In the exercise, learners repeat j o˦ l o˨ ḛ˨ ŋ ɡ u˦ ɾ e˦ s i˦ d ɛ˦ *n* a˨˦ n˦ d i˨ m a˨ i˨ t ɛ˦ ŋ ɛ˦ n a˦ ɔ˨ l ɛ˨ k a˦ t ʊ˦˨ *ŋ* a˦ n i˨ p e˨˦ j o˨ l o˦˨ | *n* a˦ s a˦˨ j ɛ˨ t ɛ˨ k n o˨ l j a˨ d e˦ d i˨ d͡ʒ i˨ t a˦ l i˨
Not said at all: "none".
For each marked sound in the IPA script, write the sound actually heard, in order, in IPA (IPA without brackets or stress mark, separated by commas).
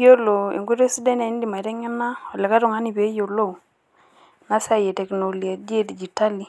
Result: n, ŋ, n